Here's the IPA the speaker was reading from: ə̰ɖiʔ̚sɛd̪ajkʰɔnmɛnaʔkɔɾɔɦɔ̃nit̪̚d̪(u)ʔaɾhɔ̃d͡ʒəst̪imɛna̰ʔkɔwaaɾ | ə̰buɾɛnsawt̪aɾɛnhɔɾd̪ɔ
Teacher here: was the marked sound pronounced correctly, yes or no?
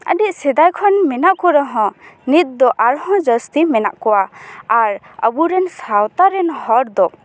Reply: no